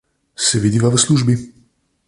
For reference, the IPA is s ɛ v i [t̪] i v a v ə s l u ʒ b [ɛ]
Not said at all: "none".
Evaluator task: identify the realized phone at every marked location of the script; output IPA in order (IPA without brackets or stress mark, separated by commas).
d̪, i